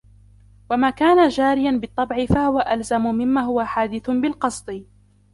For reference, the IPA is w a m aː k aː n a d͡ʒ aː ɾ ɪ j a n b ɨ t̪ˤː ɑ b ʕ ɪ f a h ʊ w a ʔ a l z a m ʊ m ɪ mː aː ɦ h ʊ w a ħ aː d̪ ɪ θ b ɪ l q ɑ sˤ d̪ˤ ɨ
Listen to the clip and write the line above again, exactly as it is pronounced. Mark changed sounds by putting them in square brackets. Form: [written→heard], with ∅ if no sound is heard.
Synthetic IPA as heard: w a m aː k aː n a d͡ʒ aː ɾ ɪ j a n b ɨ t̪ˤː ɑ b ʕ ɪ f a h ʊ w a ʔ a l z a m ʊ m ɪ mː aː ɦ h ʊ w a ħ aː d̪ ɪ θ b ɪ l q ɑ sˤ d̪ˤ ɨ